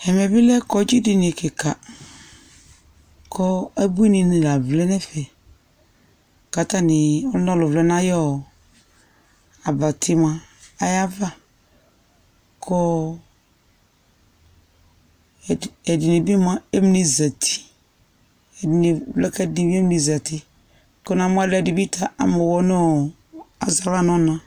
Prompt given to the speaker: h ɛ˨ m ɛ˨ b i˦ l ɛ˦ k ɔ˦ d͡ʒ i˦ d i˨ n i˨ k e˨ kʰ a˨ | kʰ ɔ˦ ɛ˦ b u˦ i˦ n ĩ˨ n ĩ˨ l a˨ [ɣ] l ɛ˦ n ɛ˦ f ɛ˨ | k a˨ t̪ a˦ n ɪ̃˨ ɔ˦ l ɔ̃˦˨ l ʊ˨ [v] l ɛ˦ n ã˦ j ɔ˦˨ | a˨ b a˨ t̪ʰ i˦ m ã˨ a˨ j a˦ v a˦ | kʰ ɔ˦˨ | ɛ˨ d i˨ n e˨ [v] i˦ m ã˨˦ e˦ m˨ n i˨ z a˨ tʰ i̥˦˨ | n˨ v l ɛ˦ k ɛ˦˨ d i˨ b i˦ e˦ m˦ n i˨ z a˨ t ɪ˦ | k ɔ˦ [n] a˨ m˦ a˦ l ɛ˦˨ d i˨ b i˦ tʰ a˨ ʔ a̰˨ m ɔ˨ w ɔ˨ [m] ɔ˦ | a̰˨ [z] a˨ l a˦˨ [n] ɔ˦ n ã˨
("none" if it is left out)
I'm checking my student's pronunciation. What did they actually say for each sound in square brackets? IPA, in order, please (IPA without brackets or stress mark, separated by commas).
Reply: v, v, b, n, n, z, n